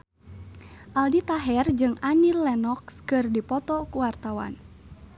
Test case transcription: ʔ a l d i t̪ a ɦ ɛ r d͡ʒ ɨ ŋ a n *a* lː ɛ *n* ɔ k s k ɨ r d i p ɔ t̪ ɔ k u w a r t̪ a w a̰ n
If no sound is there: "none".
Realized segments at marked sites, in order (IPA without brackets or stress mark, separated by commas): i, n